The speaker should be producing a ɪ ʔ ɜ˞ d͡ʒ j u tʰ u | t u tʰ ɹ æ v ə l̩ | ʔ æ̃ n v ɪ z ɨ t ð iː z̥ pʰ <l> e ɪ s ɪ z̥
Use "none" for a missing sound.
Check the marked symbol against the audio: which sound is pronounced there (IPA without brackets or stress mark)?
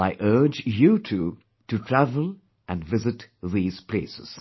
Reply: l